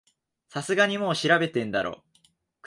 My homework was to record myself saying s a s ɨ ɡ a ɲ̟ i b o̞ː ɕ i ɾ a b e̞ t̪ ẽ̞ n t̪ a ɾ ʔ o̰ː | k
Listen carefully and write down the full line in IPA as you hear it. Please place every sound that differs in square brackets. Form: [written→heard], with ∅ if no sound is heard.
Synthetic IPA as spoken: s a s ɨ ɡ a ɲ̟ i [b→m] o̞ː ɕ i ɾ a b e̞ t̪ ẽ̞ n [t̪→d̪] a ɾ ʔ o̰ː | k